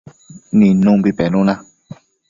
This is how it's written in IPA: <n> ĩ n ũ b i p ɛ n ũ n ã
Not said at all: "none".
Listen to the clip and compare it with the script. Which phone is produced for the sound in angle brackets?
n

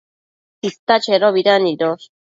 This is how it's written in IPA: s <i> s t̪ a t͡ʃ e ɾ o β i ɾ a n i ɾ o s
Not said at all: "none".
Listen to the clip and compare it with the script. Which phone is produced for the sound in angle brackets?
i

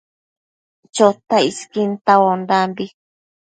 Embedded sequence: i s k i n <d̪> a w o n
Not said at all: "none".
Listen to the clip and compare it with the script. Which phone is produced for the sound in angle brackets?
t̪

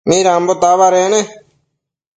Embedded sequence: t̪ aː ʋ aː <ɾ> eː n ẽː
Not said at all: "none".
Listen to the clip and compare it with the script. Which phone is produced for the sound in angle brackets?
ɾ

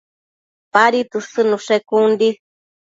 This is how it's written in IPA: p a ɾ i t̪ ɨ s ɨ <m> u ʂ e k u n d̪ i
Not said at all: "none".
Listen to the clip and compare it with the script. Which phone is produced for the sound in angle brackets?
n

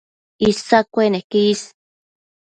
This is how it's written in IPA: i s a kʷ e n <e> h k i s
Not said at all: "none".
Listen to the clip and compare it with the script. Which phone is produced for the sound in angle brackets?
e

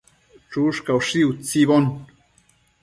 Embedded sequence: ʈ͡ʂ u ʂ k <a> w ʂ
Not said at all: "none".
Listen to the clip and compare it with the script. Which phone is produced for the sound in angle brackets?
a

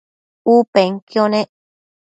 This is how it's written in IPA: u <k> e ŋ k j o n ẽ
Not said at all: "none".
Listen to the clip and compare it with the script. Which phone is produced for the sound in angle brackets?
p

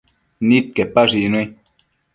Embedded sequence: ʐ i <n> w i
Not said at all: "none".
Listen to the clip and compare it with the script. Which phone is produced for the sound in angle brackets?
n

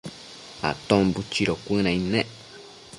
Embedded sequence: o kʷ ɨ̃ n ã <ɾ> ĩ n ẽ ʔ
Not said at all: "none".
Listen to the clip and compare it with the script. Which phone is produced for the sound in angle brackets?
none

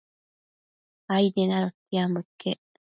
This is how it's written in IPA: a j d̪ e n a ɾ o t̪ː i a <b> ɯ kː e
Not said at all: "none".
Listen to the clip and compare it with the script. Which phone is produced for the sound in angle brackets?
m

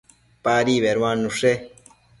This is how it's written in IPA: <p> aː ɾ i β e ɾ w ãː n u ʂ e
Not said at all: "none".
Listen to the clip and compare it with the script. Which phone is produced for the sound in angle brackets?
p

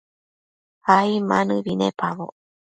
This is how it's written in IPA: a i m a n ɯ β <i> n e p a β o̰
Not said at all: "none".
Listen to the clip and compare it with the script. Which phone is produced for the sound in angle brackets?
i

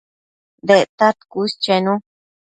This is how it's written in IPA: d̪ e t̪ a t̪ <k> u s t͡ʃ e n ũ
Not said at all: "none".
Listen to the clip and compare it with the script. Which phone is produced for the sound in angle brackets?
k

